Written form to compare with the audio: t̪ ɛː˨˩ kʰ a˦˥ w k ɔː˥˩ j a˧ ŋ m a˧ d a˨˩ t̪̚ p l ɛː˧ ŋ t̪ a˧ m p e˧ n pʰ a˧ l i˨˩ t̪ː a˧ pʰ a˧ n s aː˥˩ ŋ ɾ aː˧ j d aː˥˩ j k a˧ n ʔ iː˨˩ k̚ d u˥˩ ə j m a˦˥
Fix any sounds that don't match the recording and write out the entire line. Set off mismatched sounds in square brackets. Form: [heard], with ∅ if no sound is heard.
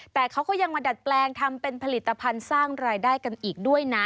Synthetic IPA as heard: t̪ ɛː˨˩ kʰ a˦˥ w k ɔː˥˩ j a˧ ŋ m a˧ d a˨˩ t̪̚ p l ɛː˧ ŋ [t̪ʰ] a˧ m p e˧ n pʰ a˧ l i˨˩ t̪ː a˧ pʰ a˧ n s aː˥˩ ŋ ɾ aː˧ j d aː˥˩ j k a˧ n ʔ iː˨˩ k̚ d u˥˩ ə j [n] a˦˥